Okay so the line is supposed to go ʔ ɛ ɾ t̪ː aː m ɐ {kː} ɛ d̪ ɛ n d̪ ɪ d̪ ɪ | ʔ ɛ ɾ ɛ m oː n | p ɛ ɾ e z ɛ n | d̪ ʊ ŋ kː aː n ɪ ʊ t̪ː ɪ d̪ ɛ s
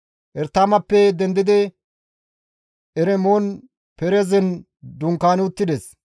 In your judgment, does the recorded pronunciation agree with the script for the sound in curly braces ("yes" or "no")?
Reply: no